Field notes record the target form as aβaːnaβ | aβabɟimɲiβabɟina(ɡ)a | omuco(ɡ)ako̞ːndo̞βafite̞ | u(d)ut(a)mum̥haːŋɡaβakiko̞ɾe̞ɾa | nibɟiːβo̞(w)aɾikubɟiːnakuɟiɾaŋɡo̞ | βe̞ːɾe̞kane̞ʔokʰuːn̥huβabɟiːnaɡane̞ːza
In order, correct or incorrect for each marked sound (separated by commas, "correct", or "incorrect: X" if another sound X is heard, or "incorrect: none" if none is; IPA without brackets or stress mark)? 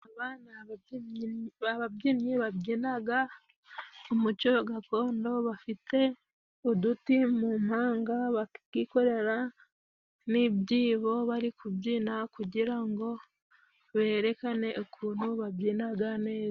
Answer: correct, correct, correct, incorrect: i, incorrect: β